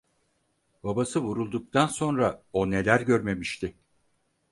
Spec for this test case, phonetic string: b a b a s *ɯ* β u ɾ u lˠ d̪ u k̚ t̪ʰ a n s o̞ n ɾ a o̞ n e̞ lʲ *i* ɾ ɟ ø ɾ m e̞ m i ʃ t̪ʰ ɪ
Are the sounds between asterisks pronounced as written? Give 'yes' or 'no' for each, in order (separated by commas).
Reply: yes, no